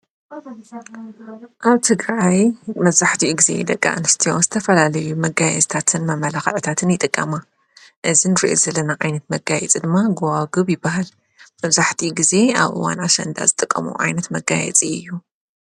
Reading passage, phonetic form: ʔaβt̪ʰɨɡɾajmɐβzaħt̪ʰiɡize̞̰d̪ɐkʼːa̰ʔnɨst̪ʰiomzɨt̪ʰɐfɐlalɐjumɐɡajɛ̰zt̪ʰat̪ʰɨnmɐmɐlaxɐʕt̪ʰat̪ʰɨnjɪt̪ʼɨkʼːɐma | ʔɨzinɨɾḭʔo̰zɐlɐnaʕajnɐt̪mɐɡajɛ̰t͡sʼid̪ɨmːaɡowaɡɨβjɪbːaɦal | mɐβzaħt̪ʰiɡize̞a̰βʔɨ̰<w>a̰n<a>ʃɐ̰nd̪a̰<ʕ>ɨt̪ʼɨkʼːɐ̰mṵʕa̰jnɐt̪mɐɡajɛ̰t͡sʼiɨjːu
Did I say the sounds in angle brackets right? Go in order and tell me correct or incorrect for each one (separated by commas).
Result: correct, correct, incorrect